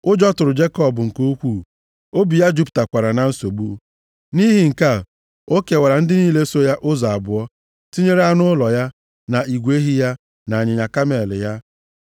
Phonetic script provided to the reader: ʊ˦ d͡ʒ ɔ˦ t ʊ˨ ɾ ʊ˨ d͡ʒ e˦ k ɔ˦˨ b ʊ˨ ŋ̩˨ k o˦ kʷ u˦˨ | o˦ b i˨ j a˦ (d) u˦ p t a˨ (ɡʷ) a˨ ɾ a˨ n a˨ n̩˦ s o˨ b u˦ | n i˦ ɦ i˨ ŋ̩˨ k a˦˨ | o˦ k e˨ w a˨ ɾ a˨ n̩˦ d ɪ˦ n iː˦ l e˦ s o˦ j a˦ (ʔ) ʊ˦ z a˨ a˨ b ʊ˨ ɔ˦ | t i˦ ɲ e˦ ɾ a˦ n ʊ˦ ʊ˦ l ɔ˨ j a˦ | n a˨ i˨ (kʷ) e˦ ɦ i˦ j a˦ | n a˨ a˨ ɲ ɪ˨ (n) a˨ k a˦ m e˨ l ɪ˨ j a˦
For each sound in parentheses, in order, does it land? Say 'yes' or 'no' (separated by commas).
no, no, yes, no, no